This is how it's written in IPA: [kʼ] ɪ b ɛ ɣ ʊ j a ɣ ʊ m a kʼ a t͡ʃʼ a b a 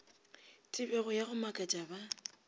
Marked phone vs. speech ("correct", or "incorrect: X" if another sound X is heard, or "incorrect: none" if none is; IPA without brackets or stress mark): incorrect: tʼ